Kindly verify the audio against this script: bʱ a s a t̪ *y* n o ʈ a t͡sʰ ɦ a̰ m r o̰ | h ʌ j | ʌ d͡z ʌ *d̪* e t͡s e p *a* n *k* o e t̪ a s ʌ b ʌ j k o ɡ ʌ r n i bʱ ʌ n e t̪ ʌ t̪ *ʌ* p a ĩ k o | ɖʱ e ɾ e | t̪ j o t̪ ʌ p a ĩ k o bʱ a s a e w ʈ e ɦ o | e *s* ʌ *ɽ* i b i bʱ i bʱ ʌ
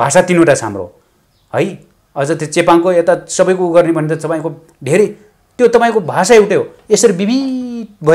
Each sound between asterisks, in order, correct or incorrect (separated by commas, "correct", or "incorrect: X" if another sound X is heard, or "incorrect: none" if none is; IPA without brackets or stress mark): incorrect: i, incorrect: t̪, correct, correct, correct, correct, incorrect: ɾ